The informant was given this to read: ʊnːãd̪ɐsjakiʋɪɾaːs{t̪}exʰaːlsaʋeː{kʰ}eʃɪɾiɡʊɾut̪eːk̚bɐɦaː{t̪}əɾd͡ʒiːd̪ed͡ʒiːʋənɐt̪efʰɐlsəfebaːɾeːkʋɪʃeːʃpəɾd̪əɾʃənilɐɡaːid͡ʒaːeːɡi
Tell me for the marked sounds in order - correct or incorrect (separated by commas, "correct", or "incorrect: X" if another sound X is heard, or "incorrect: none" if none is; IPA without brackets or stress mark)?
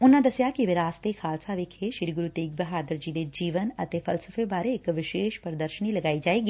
correct, correct, incorrect: d̪